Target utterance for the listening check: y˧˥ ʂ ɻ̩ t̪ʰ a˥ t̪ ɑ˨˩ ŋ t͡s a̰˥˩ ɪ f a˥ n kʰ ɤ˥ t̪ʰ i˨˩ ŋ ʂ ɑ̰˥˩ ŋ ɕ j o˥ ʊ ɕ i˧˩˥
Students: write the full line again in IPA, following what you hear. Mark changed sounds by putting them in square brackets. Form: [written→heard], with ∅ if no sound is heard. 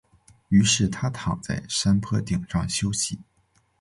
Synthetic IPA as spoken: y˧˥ ʂ ɻ̩ t̪ʰ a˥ [t̪→t̪ʰ] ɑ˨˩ ŋ t͡s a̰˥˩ ɪ [f→ʂ] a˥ n [kʰ→pʰ] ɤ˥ [t̪ʰ→t̪] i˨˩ ŋ ʂ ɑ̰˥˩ ŋ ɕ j o˥ ʊ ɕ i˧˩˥